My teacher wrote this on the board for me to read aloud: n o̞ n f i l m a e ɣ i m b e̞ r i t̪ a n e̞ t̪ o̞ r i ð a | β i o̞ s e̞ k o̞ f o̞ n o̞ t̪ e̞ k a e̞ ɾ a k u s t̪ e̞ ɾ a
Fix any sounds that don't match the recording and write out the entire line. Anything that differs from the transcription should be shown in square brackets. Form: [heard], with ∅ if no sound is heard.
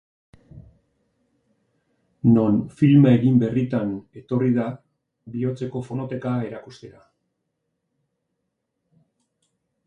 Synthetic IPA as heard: n o̞ n f i l m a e ɣ i m b e̞ r i t̪ a n e̞ t̪ o̞ r i ð a | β i o̞ [t͡s] e̞ k o̞ f o̞ n o̞ t̪ e̞ k a e̞ ɾ a k u s t̪ e̞ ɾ a

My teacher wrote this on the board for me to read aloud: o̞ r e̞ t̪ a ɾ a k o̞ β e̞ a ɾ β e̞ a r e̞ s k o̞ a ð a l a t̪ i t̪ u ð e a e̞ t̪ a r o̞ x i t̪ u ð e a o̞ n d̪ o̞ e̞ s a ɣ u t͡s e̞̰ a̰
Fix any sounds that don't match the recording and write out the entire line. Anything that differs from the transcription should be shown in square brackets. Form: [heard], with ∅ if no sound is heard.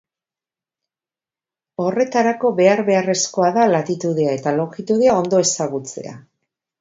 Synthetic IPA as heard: o̞ r e̞ t̪ a ɾ a k o̞ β e̞ a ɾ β e̞ a r e̞ s k o̞ a ð a l a t̪ i t̪ u ð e a e̞ t̪ a [l] o̞ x i t̪ u ð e a o̞ n d̪ o̞ e̞ s a ɣ u t͡s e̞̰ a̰

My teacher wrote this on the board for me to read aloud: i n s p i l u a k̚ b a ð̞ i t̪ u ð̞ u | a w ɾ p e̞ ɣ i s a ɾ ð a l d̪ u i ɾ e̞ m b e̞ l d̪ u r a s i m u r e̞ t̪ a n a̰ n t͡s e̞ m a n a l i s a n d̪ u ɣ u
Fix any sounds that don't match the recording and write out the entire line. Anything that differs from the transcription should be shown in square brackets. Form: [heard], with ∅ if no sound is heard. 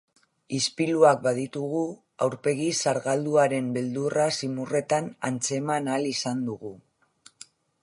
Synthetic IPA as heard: i [∅] s p i l u a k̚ b a ð̞ i t̪ u [ɣ̞] u | a w ɾ p e̞ ɣ i s a ɾ [ɣ] a l d̪ u [a] ɾ e̞ m b e̞ l d̪ u r a s i m u r e̞ t̪ a n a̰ n t͡s e̞ m a n a l i s a n d̪ u ɣ u

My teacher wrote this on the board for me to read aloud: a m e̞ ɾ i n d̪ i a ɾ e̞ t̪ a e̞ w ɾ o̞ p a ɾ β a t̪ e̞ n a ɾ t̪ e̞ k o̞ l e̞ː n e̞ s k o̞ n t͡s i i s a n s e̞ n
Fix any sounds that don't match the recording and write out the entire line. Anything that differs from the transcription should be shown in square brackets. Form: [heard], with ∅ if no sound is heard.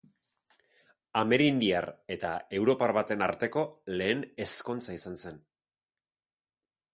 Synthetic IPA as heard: a m e̞ ɾ i n d̪ i a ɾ e̞ t̪ a e̞ w ɾ o̞ p a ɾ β a t̪ e̞ n a ɾ t̪ e̞ k o̞ l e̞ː n e̞ s k o̞ n t͡s [a] i s a n s e̞ n

